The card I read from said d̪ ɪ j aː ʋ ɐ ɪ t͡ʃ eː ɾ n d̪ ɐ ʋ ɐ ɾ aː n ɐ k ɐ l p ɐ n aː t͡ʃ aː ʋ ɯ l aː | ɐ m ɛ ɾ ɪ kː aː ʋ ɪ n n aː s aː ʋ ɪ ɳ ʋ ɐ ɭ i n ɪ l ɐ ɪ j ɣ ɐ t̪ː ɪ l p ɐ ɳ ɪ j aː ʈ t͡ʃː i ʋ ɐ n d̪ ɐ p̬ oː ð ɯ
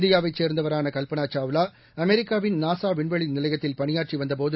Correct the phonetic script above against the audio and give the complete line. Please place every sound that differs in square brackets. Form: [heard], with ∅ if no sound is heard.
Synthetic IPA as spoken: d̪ ɪ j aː ʋ ɐ ɪ t͡ʃ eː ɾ n d̪ ɐ ʋ ɐ ɾ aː n ɐ k ɐ l p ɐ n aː t͡ʃ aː ʋ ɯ l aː | ɐ m ɛ ɾ ɪ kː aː ʋ ɪ n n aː s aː ʋ ɪ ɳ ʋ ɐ ɭ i n ɪ l ɐ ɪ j ɣ ɐ t̪ː ɪ l p ɐ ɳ ɪ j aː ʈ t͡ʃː i ʋ ɐ n d̪ ɐ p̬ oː ð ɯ